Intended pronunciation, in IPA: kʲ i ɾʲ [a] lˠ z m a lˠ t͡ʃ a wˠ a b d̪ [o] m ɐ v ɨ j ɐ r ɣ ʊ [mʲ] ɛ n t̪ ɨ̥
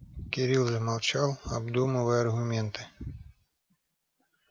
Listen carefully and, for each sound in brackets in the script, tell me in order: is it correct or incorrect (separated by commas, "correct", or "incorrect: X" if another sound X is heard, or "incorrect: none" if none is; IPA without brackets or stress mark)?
incorrect: i, incorrect: u, correct